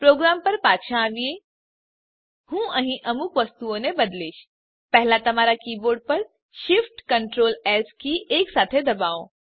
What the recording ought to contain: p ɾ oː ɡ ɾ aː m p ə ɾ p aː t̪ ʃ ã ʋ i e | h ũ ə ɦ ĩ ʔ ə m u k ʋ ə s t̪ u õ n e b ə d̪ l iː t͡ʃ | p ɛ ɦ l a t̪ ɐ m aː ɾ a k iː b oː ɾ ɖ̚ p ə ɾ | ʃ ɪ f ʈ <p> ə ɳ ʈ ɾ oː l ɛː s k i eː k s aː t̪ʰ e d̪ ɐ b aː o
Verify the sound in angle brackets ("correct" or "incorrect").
incorrect